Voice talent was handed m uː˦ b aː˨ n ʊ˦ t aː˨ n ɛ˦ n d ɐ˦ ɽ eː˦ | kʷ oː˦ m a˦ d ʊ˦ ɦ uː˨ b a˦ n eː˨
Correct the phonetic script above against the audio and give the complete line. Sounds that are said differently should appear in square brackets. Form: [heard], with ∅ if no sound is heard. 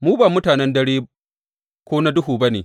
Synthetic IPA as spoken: m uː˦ b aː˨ [m] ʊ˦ t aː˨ n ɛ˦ n d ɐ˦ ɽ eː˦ | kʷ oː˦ [n] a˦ d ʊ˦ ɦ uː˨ b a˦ n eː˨